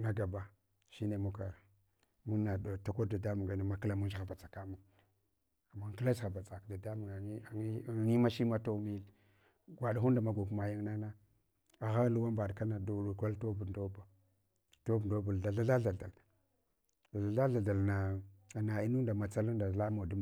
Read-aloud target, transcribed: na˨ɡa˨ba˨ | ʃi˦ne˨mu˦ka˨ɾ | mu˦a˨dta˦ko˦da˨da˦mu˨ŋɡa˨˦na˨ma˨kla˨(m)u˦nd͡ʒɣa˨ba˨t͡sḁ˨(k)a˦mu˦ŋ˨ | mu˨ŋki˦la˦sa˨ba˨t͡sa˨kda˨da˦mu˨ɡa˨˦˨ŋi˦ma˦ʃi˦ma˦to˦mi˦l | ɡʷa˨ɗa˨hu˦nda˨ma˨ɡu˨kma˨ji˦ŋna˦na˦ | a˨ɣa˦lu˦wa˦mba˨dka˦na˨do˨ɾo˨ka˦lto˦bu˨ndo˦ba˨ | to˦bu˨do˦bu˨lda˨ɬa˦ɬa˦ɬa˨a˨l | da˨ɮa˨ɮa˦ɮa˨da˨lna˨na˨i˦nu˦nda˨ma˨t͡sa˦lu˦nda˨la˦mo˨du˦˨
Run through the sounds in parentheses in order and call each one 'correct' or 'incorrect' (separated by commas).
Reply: correct, correct